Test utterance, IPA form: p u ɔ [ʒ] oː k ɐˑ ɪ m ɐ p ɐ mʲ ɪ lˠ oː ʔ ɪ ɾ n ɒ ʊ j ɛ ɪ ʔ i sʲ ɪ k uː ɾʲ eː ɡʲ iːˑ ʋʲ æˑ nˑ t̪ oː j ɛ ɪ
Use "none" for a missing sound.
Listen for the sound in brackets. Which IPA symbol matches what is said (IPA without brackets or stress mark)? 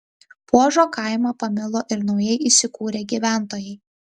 ʒ